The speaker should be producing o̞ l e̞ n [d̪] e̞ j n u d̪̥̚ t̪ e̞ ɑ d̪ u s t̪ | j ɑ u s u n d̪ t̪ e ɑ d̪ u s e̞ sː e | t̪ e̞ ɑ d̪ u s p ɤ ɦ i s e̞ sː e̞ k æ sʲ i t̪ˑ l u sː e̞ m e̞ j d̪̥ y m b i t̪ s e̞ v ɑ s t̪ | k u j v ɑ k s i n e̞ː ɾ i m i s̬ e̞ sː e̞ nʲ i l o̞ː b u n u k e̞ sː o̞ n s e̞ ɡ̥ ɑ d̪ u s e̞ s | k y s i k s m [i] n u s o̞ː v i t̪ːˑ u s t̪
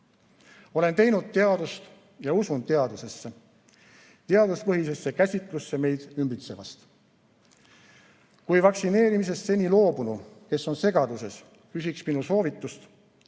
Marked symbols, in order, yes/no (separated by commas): no, yes